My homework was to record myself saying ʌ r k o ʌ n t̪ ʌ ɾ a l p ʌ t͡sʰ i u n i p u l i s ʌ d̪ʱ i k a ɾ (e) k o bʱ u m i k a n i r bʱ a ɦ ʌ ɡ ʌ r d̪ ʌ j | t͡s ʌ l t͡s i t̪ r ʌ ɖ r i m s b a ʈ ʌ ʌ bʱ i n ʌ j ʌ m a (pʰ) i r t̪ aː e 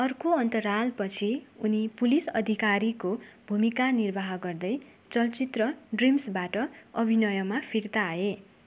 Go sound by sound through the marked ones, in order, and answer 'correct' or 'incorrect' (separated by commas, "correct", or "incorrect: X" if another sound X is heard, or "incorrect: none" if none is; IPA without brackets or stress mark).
incorrect: i, correct